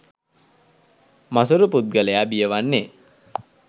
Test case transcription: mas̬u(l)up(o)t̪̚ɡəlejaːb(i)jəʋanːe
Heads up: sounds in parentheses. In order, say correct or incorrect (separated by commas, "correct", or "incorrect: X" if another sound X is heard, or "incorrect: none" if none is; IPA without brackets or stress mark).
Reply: incorrect: ɾ, incorrect: u, correct